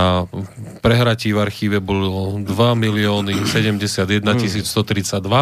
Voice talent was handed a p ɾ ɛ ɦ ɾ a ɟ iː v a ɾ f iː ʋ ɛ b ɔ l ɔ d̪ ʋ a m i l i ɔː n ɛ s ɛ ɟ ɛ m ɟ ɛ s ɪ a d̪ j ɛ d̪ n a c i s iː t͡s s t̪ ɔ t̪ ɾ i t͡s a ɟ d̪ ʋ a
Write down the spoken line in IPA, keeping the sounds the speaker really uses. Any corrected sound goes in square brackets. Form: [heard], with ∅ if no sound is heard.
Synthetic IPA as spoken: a p ɾ ɛ ɦ ɾ a [c] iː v a ɾ [x] iː ʋ ɛ b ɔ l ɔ d̪ ʋ a m i l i ɔː n [i] s ɛ ɟ ɛ m ɟ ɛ s ɪ a d̪ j ɛ d̪ n a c i s iː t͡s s t̪ ɔ t̪ ɾ i t͡s a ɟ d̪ ʋ a